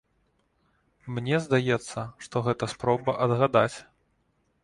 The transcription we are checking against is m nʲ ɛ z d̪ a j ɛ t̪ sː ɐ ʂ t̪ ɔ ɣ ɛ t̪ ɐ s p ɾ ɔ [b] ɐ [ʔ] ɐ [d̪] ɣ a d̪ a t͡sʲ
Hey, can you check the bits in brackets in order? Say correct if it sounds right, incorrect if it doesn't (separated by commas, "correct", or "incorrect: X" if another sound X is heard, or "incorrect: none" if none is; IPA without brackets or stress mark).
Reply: correct, correct, correct